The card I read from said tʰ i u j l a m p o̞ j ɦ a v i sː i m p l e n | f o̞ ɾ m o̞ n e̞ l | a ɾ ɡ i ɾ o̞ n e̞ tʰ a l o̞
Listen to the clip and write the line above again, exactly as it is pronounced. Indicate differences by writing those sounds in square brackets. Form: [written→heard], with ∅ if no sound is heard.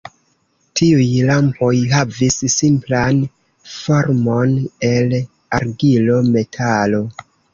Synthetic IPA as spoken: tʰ i u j l a m p o̞ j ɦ a v i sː i m p l [e→a] n | f o̞ ɾ m o̞ n e̞ l | a ɾ ɡ i [ɾ→l] o̞ [n→m] e̞ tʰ a l o̞